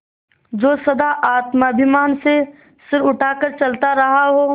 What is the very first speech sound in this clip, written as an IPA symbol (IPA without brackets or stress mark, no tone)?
d͡ʒ